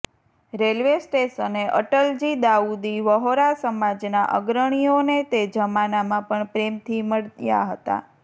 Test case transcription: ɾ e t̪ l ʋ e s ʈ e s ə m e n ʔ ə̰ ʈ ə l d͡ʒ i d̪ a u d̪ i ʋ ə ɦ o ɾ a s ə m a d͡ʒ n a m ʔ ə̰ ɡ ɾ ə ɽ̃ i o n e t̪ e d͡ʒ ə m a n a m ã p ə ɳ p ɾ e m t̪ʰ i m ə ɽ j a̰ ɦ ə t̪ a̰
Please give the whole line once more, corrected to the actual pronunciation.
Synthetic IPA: ɾ e l ʋ e s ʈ e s ə n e ʔ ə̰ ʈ ə l d͡ʒ i d̪ a u d̪ i ʋ ə ɦ o ɾ a s ə m a d͡ʒ n a ʔ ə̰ ɡ ɾ ə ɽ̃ i o n e t̪ e d͡ʒ ə m a n a m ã p ə ɳ p ɾ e m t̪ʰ i m ə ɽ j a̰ ɦ ə t̪ a̰